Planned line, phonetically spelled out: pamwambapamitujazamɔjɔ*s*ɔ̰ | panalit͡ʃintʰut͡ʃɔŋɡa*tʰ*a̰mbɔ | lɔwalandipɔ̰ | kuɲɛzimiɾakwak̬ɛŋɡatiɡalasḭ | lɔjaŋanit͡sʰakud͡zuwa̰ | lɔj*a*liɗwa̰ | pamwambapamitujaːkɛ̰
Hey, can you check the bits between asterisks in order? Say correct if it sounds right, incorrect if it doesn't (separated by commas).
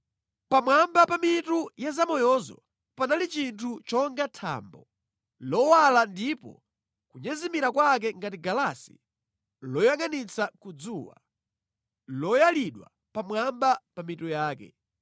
incorrect, correct, correct